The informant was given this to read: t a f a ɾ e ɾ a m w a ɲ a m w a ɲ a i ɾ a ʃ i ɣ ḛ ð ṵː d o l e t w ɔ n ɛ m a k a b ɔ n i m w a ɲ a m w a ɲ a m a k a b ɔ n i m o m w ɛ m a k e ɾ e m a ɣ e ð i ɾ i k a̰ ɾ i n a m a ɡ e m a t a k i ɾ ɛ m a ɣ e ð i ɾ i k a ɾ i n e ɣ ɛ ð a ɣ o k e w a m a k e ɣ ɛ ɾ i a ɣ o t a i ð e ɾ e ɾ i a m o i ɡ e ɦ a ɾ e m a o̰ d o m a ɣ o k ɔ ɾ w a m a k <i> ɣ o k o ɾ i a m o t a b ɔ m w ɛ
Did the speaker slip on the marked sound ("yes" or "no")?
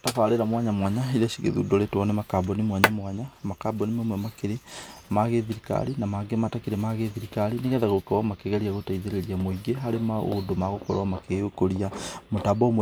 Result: yes